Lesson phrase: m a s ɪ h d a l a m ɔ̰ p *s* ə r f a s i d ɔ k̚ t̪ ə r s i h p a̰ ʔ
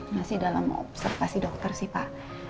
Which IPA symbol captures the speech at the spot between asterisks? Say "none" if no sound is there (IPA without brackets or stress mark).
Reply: s